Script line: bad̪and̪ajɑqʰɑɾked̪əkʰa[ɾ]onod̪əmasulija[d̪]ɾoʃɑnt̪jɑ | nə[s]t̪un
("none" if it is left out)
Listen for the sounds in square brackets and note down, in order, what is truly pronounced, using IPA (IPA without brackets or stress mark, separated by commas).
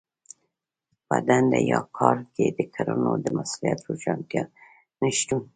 ɾ, t̪, ʃ